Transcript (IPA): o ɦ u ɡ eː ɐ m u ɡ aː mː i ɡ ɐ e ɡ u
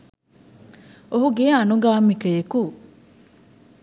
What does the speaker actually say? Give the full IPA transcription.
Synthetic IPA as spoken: o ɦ u ɡ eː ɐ n u ɡ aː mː i k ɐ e k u